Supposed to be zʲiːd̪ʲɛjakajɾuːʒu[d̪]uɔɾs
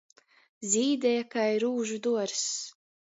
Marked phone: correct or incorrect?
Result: correct